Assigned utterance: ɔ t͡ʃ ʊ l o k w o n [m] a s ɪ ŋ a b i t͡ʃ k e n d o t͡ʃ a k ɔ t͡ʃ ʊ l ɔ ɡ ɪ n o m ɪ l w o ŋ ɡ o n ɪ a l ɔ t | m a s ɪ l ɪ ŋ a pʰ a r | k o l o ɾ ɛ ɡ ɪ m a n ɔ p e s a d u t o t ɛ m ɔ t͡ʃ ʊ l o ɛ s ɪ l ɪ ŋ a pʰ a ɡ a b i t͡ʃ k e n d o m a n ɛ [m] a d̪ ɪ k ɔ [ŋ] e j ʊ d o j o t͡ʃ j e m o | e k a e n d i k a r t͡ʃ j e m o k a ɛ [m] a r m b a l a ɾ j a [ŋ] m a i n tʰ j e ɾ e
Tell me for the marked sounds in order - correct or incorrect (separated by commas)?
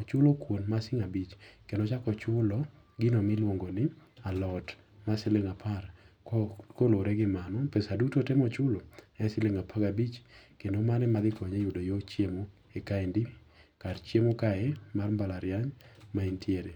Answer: correct, correct, incorrect, correct, incorrect